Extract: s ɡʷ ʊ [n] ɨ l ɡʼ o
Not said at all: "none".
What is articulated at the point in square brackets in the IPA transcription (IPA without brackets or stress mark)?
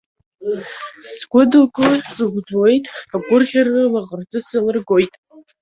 d